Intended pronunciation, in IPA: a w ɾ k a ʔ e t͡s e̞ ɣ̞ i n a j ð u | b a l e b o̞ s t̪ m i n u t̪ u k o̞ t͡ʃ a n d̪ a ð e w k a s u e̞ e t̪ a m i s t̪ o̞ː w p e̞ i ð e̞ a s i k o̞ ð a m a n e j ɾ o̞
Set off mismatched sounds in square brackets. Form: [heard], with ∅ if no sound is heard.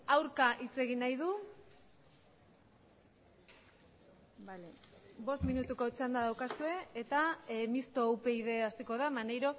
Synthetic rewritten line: a w ɾ k a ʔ [i] t͡s e̞ ɣ̞ i n a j ð u | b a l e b o̞ s t̪ m i n u t̪ u k o̞ t͡ʃ a n d̪ a ð [a] w k a s u e̞ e t̪ a m i s t̪ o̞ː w p e̞ i ð e̞ a s i k o̞ ð a m a n e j ɾ o̞